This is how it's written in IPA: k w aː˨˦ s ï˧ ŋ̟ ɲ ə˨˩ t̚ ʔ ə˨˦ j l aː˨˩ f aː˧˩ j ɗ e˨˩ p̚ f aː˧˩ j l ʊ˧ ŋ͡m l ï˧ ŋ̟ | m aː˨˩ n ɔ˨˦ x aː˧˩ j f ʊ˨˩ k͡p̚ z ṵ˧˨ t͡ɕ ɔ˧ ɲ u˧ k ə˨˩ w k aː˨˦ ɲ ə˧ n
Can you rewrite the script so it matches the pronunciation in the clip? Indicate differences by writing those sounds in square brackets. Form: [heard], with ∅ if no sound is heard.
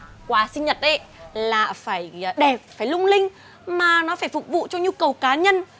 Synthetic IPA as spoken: k w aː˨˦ s ï˧ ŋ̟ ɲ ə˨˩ t̚ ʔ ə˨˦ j l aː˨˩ f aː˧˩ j ɗ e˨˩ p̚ f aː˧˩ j l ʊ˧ ŋ͡m l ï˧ ŋ̟ | m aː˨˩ n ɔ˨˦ [f] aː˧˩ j f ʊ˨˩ k͡p̚ [v] ṵ˧˨ t͡ɕ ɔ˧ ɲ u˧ k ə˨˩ w k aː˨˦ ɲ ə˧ n